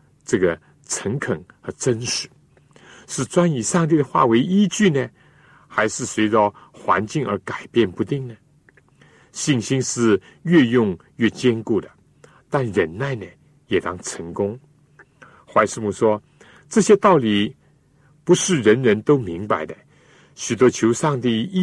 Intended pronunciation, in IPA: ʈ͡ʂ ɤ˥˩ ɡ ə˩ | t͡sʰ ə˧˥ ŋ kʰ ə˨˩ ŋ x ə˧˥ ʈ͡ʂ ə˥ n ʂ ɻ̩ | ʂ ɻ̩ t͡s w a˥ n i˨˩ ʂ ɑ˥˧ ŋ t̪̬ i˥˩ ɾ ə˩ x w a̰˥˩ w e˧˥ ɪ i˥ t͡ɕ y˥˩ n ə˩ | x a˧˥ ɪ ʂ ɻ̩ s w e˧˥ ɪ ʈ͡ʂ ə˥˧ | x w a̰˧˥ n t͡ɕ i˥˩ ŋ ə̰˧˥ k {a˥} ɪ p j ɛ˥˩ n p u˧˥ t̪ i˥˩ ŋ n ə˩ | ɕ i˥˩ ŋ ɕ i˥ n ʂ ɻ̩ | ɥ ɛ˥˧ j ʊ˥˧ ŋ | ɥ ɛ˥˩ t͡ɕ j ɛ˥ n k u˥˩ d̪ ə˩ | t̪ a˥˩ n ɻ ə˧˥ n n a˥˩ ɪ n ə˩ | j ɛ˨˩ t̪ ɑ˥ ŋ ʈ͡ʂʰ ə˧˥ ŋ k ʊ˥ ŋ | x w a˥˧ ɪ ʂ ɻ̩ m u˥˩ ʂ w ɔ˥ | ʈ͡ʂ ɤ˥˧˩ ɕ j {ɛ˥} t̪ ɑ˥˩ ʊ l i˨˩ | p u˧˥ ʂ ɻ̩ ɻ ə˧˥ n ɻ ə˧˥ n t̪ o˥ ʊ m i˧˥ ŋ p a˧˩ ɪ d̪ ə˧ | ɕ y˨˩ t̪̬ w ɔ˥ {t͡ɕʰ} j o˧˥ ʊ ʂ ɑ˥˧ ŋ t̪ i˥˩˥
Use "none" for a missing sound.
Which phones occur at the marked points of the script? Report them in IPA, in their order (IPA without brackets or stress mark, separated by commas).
a˨˩, ɛ˥, t͡ɕʰ